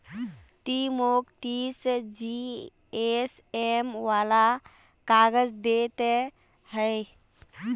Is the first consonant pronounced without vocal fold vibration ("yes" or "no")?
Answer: yes